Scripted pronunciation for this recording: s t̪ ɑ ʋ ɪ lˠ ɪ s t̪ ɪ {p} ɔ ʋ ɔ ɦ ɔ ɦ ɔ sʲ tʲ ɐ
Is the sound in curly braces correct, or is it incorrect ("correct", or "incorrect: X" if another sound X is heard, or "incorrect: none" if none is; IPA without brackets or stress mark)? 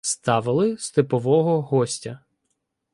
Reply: correct